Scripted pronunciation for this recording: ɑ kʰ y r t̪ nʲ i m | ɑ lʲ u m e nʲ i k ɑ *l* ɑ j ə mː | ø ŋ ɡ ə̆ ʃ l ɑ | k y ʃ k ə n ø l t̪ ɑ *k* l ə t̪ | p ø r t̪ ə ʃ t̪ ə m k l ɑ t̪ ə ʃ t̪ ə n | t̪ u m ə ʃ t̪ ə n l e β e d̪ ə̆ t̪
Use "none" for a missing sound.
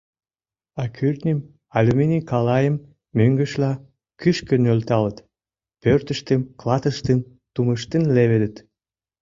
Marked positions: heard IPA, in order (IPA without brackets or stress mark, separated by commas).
l, none